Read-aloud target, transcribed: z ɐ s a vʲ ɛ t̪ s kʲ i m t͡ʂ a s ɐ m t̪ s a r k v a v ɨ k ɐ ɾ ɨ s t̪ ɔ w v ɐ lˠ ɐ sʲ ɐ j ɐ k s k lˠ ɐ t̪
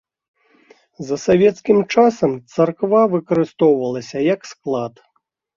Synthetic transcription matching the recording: z ɐ s a vʲ ɛ t̪ s kʲ i m t͡ʂ a s ɐ m t̪ s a r k v a v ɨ k ɐ ɾ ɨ s t̪ ɔ w v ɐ lˠ ɐ sʲ ɐ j ɐ k s k lˠ a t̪

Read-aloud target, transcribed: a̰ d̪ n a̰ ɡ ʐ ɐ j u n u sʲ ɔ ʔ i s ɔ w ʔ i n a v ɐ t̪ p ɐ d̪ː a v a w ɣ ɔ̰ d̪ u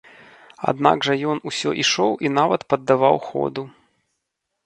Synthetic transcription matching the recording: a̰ d̪ n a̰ ɡ ʐ ɐ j ɔ n u sʲ ɔ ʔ i ʂ ɔ w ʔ i n a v ɐ t̪ p ɐ d̪ː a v a w x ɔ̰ d̪ u

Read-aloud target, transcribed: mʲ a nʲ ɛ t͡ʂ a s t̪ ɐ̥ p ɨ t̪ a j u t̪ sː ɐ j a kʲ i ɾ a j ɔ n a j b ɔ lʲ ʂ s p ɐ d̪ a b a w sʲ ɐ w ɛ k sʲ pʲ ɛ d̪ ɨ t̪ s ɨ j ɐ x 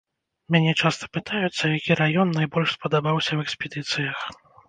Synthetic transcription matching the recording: mʲ a nʲ ɛ t͡ʂ a s t̪ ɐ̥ p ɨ t̪ a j u t̪ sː ɐ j a kʲ i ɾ a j ɔ nː a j b ɔ lʲ ʂ s p ɐ d̪ a b a w sʲ ɐ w ɛ k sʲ pʲ ɛ d̪ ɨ t̪ s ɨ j ɐ x

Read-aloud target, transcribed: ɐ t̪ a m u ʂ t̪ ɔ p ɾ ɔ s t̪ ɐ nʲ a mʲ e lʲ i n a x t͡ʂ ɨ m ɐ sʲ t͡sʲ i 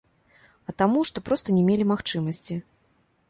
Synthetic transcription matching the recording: ɐ t̪ a m u ʂ t̪ ɔ p ɾ ɔ s t̪ ɐ nʲ ɛ mʲ e lʲ i m a x t͡ʂ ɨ m ɐ sʲ t͡sʲ i

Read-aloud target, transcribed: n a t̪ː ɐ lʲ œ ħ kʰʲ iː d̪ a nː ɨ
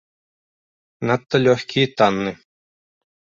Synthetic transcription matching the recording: n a t̪ː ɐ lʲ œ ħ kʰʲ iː t̪ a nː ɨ

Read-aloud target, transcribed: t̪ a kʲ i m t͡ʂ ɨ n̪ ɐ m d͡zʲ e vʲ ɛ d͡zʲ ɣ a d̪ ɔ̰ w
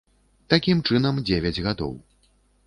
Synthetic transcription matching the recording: t̪ a kʲ i m t͡ʂ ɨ n̪ ɐ m d͡zʲ e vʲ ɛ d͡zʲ ɣ a d̪ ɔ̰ w

